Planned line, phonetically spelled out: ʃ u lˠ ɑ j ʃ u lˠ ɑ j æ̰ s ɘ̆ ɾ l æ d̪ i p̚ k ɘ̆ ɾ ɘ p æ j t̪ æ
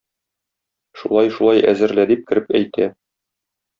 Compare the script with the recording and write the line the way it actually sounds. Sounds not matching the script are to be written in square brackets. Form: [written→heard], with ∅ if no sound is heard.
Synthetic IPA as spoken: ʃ u lˠ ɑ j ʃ u lˠ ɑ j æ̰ [s→z] ɘ̆ ɾ l æ d̪ i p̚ k ɘ̆ ɾ ɘ p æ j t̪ æ